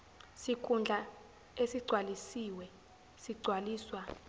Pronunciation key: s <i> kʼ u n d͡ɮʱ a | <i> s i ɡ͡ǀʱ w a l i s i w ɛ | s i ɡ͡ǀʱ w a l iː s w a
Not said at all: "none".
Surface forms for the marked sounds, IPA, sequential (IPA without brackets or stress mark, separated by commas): i, e